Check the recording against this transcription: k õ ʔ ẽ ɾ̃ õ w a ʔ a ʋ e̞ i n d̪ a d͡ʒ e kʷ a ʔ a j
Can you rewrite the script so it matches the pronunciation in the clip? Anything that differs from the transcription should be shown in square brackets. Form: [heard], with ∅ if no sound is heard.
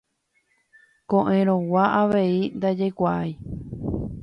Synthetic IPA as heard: k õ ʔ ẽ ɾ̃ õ w a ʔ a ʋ e̞ i n d̪ a d͡ʒ e kʷ a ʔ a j